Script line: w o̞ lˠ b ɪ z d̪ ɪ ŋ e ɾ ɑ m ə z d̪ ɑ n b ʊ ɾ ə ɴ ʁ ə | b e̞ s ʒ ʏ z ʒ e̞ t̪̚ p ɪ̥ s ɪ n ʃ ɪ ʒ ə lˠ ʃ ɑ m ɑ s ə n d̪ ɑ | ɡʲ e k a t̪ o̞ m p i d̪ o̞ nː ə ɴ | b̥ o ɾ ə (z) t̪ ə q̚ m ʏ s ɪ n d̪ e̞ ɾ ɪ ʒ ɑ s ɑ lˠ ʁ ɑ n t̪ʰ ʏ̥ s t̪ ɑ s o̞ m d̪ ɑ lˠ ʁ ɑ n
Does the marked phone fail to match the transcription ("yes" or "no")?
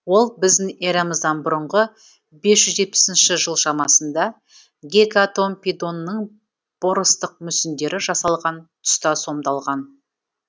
yes